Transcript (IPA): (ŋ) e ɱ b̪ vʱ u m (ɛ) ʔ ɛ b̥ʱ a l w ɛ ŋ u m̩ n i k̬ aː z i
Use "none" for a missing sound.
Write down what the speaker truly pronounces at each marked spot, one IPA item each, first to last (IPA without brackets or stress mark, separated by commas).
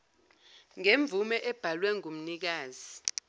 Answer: ŋ, ɛ